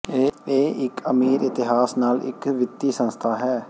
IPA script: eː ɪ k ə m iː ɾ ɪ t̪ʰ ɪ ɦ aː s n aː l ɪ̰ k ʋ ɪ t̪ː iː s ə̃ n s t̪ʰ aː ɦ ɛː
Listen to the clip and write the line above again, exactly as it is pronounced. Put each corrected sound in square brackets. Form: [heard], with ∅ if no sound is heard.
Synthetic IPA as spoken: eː ɪ k ə m iː ɾ ɪ [t̪] ɪ ɦ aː s n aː l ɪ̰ k ʋ ɪ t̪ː iː s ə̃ n s t̪ʰ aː ɦ ɛː